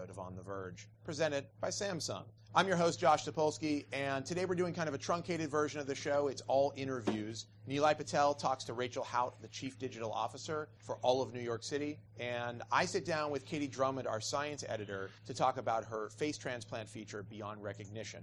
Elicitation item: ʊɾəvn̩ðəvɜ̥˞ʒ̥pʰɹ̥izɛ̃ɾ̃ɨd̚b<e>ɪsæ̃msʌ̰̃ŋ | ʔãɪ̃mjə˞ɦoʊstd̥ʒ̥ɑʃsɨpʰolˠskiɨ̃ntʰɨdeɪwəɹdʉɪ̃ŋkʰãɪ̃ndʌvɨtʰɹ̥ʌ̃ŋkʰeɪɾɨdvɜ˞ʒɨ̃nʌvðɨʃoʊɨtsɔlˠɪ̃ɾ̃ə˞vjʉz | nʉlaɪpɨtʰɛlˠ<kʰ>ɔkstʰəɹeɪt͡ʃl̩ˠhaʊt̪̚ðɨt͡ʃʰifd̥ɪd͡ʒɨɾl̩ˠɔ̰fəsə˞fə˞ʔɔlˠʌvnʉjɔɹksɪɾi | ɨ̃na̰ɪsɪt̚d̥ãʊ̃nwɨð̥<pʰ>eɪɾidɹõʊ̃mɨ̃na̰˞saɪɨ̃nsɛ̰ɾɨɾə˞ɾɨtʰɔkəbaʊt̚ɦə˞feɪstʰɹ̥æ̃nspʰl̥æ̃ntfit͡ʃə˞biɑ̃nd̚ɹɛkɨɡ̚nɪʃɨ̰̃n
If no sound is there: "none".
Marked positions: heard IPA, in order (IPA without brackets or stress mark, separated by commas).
a, tʰ, kʰ